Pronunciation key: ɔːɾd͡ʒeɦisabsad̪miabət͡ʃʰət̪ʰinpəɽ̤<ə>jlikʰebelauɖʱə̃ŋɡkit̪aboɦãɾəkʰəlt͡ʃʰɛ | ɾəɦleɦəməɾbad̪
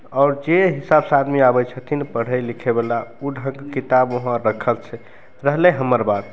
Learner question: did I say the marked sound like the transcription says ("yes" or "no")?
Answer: yes